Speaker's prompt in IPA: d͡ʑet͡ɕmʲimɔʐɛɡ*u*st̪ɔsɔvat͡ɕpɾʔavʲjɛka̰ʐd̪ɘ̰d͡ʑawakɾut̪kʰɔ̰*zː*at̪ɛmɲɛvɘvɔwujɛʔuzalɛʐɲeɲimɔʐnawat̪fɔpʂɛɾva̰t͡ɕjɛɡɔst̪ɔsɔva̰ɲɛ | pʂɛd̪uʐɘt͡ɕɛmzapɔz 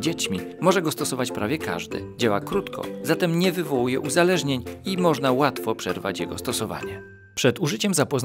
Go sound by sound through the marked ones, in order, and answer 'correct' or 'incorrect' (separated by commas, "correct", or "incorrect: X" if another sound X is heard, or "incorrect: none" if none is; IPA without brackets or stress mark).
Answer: incorrect: ɔ, incorrect: z